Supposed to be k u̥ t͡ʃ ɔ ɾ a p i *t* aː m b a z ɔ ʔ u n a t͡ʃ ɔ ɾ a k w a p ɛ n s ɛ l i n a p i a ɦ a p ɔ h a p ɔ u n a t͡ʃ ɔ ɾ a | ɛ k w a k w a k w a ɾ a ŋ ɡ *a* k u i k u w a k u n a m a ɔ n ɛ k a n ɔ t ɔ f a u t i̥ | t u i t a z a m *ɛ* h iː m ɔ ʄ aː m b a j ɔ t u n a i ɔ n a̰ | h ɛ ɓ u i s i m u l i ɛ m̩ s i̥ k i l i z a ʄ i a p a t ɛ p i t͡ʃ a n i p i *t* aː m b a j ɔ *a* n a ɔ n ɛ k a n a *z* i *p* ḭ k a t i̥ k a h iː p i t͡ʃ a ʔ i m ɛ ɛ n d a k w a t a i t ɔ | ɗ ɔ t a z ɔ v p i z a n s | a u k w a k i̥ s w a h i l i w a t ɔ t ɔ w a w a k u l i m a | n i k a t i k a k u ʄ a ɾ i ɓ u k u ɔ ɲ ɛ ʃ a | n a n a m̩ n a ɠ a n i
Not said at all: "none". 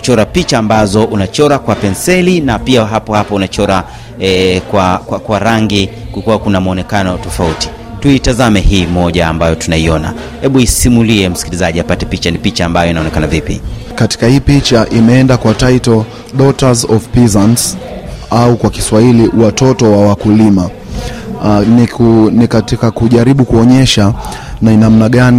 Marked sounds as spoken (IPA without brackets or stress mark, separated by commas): t͡ʃ, i, ɛ, t͡ʃ, i, v, p